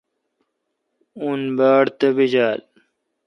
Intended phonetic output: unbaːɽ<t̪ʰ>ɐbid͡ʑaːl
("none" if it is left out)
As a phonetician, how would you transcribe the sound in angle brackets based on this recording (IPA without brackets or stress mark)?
t̪